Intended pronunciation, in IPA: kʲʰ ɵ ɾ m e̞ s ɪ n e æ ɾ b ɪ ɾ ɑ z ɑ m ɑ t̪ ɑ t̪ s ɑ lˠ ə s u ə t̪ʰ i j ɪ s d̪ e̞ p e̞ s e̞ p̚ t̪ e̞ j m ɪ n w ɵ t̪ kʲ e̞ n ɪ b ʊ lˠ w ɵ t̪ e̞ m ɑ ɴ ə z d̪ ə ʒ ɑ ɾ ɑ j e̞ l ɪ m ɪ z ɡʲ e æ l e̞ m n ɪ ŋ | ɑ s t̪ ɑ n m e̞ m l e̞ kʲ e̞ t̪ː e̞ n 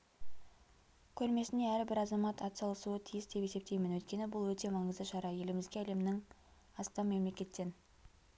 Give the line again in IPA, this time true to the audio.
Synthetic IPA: kʲʰ ɵ ɾ m e̞ s ɪ n e æ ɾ b ɪ ɾ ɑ z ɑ m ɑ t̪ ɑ t̪ s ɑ lˠ ə s u ə t̪ʰ i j ɪ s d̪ e̞ p e̞ s e̞ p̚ t̪ e̞ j m ɪ n w ɵ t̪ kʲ e̞ n ɪ b ʊ lˠ w ɵ t̪ e̞ m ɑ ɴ ə z d̪ ə ʃ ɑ ɾ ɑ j e̞ l ɪ m ɪ z ɡʲ e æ l e̞ m n ɪ ŋ | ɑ s t̪ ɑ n m e̞ m l e̞ kʲ e̞ t̪ː e̞ n

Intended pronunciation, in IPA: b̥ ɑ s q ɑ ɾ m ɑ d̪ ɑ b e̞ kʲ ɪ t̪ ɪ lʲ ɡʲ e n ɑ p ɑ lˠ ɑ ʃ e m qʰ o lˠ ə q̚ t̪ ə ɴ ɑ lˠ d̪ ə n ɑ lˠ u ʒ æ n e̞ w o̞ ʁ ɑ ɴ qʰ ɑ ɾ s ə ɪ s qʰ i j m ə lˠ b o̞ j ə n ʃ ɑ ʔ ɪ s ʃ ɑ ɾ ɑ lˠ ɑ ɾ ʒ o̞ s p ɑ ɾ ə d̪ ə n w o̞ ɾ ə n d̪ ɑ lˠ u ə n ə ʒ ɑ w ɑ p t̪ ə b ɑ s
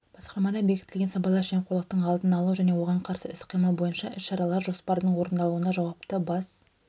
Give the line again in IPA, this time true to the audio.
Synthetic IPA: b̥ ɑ s q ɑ ɾ m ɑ d̪ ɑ b e̞ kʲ ɪ t̪ ɪ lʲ ɡʲ e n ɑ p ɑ lˠ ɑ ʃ e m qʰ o lˠ ə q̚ t̪ ə ɴ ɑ lˠ d̪ ə n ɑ lˠ u ʒ æ n e̞ w o̞ ʁ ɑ ɴ qʰ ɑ ɾ s ə ɪ s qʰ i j m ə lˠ b o̞ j ə n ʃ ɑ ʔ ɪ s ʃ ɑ ɾ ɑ lˠ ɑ ɾ ʒ o̞ s p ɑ ɾ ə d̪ ə ɴ w o̞ ɾ ə n d̪ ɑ lˠ u ə n ɑ ʒ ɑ w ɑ p t̪ ə b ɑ s

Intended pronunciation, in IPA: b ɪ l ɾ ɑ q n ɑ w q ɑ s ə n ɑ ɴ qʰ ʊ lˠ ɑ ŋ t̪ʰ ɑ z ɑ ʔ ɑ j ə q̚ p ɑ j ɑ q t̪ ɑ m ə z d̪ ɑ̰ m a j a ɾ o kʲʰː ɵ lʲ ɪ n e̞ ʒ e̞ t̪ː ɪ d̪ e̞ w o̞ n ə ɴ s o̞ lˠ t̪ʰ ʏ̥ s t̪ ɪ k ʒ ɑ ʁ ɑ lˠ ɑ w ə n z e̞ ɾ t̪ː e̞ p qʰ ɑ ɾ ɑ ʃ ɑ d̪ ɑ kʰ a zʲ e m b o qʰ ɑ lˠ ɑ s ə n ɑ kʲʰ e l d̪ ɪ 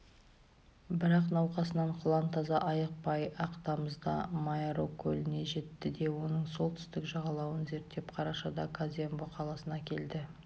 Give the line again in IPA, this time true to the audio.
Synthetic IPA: b ɪ ɾ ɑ q n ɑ w q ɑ s ə n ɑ ɴ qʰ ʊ lˠ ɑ n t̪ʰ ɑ z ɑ ʔ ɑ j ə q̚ p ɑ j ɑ q t̪ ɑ m ə z d̪ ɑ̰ m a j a ɾ o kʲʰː ɵ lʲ ɪ n e̞ ʒ e̞ t̪ː ɪ d̪ e̞ w o̞ n ə ɴ s o̞ lˠ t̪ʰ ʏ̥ s t̪ ɪ k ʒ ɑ ʁ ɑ lˠ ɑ w ə n z e̞ ɾ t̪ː e̞ p qʰ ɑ ɾ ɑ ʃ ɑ d̪ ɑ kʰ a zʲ e m b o qʰ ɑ lˠ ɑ s ə n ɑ kʲʰ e l d̪ ɪ

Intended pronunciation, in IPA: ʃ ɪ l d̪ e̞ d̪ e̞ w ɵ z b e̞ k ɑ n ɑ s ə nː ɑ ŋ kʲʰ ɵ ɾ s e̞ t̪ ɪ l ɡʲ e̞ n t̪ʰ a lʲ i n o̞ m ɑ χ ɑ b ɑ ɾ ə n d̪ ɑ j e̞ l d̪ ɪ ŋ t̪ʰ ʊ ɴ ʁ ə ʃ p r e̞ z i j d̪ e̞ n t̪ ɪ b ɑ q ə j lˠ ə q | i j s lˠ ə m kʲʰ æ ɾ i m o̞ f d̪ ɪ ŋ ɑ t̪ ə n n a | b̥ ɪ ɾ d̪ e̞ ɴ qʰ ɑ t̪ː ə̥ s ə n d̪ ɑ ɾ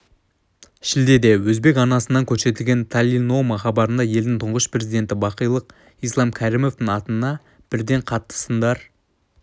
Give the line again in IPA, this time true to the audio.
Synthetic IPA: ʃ ɪ l d̪ e̞ d̪ e̞ w ɵ z b e̞ k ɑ n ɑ s ə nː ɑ ŋ kʲʰ ɵ ɾ s e̞ t̪ ɪ l ɡʲ e̞ n t̪ʰ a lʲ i n o̞ m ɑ χ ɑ b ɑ ɾ ə n d̪ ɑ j e̞ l d̪ ɪ ŋ t̪ʰ ʊ ɴ ʁ ə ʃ p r e̞ z i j d̪ e̞ n t̪ ɪ b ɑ q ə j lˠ ə q | i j s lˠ ɑ m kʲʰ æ ɾ i m o̞ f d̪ ɪ ŋ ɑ t̪ ə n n ɑ | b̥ ɪ ɾ d̪ e̞ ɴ qʰ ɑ t̪ː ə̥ s ə n d̪ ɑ ɾ

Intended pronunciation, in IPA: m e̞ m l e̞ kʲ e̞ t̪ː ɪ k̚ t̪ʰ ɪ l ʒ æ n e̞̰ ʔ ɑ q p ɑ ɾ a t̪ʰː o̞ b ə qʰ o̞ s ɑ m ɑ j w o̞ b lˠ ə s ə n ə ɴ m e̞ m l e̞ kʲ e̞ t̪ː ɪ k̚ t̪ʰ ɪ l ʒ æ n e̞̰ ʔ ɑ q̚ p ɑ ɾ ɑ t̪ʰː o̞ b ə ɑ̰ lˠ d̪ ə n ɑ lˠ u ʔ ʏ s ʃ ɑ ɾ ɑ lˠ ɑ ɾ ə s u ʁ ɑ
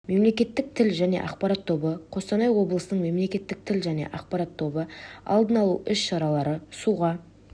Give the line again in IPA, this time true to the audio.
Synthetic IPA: m e̞ m l e̞ kʲ e̞ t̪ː ɪ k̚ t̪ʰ ɪ l ʒ æ n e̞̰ ʔ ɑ q p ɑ ɾ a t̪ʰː o̞ b ə qʰ o̞ s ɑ n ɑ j w o̞ b lˠ ə s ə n ə ɴ m e̞ m l e̞ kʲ e̞ t̪ː ɪ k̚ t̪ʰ ɪ l ʒ æ n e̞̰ ʔ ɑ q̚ p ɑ ɾ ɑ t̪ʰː o̞ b ə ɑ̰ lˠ d̪ ə n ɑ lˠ u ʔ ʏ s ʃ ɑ ɾ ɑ lˠ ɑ ɾ ə s u ʁ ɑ

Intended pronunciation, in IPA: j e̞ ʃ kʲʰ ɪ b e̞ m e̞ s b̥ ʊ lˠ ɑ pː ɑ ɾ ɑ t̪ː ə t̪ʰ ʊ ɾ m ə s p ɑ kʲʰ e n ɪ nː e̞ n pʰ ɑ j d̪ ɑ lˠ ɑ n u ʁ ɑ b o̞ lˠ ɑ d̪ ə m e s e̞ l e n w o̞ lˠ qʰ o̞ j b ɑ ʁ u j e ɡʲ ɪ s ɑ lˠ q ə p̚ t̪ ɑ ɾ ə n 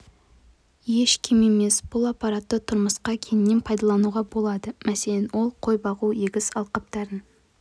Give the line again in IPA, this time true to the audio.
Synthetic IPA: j e̞ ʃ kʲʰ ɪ m e̞ m e̞ s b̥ ʊ lˠ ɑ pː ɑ ɾ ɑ t̪ː ə t̪ʰ ʊ ɾ m ə s q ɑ kʲʰ e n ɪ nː e̞ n pʰ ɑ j d̪ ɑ lˠ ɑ n u ʁ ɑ b o̞ lˠ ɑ d̪ ə m æ s e̞ l e n w o̞ lˠ qʰ o̞ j b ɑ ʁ u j e ɡʲ ɪ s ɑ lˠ q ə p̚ t̪ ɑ ɾ ə n

